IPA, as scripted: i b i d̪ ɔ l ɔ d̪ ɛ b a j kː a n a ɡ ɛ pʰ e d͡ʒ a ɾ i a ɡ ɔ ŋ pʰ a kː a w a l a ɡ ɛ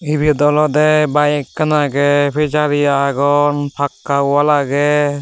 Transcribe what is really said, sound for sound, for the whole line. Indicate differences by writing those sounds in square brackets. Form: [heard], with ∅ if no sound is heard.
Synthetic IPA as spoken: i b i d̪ ɔ l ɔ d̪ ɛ b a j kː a n a ɡ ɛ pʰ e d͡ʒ a ɾ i a ɡ ɔ [n] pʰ a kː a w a l a ɡ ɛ